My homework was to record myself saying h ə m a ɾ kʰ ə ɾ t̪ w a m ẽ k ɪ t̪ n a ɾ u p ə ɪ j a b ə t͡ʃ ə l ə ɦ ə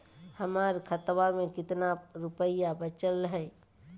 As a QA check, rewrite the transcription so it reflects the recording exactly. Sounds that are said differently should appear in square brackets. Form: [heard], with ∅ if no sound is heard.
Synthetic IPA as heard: h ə m a ɾ kʰ ə [∅] t̪ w a m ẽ k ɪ t̪ n a ɾ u p ə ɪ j a b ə t͡ʃ ə l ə ɦ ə